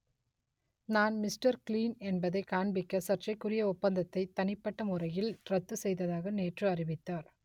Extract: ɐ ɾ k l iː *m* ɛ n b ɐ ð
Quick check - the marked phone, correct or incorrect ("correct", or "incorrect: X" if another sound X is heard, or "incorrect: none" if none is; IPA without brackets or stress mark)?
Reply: incorrect: n